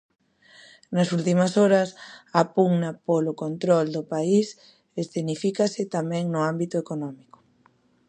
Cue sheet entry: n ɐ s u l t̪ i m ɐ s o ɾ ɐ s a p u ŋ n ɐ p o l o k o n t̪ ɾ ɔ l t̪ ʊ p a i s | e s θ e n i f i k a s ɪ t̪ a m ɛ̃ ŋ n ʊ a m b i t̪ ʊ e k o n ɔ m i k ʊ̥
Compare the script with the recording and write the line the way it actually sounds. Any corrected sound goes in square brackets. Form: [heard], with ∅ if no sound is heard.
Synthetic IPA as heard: n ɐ s u l t̪ i m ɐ s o ɾ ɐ s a p u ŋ n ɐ p o l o k o n t̪ ɾ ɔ l [d̪] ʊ p a i s | e s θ e n i f i k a s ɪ t̪ a m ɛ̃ ŋ n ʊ a m b i t̪ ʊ e k o n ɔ m i k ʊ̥